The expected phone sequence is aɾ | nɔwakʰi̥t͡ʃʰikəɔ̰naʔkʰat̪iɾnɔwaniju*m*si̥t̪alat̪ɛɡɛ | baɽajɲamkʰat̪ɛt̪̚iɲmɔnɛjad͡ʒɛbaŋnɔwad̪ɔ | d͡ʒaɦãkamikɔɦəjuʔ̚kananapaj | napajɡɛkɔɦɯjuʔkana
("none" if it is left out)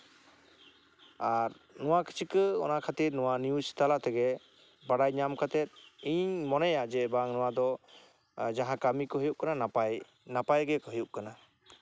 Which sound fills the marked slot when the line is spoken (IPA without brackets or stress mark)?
none